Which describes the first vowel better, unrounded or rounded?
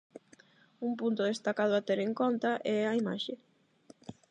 rounded